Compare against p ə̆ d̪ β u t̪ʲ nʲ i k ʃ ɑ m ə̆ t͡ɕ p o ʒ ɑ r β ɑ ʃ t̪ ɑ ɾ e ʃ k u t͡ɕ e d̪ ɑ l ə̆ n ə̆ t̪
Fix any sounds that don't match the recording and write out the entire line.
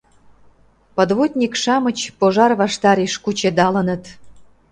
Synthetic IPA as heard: p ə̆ d̪ β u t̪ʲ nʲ i k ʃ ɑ m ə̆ t͡ɕ p o ʒ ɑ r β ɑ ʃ t̪ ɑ ɾ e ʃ k u t͡ɕ e d̪ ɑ l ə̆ n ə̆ t̪